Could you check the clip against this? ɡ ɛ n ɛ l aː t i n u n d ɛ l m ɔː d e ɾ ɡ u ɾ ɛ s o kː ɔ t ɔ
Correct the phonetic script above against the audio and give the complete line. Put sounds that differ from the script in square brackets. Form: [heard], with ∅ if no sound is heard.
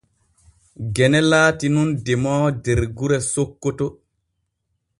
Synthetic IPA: ɡ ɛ n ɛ l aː t i n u n d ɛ [∅] m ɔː d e ɾ ɡ u ɾ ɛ s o kː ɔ t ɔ